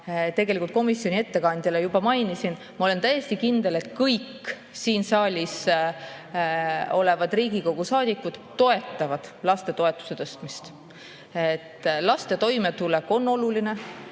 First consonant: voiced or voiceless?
voiceless